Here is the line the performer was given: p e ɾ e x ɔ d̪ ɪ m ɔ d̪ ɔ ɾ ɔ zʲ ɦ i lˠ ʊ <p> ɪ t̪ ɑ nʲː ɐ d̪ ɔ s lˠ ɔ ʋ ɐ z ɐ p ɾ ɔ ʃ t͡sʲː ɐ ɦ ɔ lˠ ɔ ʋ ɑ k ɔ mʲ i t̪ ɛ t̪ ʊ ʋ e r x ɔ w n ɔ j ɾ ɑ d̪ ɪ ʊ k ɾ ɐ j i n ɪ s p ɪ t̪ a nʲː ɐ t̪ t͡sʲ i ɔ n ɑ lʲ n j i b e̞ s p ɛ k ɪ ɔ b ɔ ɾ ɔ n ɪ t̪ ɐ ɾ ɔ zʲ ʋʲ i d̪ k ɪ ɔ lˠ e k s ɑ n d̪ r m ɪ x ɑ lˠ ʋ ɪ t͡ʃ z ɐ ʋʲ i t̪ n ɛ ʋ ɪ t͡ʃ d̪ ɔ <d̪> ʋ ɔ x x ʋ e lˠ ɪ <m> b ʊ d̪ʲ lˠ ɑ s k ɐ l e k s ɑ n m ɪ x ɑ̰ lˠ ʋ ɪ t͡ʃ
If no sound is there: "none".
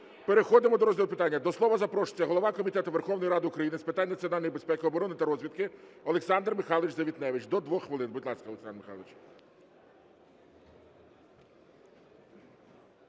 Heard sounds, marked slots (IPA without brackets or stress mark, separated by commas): p, d̪, n